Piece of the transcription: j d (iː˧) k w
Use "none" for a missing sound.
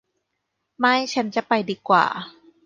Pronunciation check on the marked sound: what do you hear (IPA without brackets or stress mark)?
iː˧